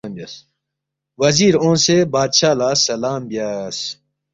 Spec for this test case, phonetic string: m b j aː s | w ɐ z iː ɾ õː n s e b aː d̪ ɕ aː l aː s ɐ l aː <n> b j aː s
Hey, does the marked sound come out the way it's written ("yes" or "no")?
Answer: no